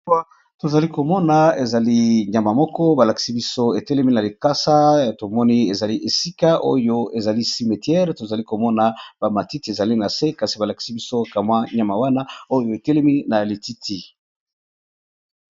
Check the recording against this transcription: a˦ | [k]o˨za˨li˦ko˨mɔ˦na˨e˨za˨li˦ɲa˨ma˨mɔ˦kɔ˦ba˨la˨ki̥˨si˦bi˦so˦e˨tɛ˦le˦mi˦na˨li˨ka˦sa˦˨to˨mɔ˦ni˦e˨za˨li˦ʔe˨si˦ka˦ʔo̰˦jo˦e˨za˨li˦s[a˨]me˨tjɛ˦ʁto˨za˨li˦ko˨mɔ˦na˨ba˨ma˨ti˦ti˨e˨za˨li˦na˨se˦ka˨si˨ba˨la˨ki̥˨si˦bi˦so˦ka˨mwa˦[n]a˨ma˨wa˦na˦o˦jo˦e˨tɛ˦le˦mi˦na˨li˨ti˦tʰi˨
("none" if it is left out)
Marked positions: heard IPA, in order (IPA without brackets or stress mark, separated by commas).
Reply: t, i˨, ɲ